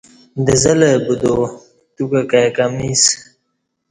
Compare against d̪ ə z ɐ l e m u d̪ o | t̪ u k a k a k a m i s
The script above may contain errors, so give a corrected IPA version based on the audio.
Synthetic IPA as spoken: d̪ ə z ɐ l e b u d̪ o | t̪ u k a k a k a m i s